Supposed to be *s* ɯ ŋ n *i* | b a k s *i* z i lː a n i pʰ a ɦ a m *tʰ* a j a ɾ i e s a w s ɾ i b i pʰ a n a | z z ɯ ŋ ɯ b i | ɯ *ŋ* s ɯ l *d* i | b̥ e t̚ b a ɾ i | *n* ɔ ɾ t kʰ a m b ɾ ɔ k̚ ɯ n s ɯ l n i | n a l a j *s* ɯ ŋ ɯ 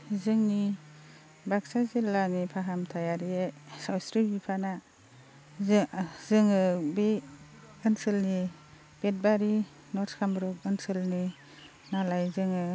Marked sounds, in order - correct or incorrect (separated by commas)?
incorrect, correct, incorrect, correct, incorrect, incorrect, correct, incorrect